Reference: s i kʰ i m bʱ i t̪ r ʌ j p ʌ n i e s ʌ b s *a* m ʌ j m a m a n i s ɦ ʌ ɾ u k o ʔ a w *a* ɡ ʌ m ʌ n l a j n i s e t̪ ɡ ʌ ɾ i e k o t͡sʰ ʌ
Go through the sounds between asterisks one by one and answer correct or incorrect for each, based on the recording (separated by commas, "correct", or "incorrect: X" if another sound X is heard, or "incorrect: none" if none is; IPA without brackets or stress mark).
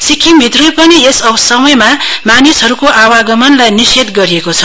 incorrect: ʌ, correct